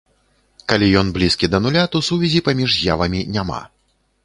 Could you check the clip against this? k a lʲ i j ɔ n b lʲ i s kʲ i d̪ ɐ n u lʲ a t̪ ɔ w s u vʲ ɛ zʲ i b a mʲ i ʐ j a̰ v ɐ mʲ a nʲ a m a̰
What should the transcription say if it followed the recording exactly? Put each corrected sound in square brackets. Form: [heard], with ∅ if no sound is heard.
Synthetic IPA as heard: k a lʲ i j ɔ n b lʲ i s kʲ i d̪ ɐ n u lʲ a t̪ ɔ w s u vʲ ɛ zʲ i [p] a mʲ i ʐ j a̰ v ɐ mʲ [i] nʲ a m a̰